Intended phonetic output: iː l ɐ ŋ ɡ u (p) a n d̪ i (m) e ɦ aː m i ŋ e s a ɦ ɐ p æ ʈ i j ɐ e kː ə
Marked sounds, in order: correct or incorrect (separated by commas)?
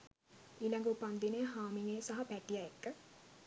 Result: correct, incorrect